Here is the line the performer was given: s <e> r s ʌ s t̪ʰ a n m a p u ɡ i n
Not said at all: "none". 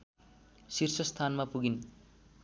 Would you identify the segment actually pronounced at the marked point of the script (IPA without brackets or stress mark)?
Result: i